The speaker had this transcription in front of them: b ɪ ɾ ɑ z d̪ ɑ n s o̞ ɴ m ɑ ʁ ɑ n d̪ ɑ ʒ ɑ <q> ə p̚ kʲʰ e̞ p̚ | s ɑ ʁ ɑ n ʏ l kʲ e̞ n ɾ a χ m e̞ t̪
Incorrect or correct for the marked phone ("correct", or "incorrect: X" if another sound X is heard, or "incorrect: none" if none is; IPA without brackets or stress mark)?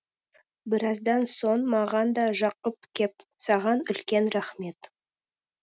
correct